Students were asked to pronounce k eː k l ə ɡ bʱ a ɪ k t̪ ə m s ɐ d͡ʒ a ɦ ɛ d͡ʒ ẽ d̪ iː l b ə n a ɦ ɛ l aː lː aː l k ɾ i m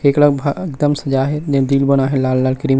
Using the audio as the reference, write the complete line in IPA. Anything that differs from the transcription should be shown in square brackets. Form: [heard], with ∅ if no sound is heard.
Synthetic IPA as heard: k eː k l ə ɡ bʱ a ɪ k [d̪] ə m s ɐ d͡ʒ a ɦ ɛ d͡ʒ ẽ d̪ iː l b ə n a ɦ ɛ l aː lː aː l k ɾ i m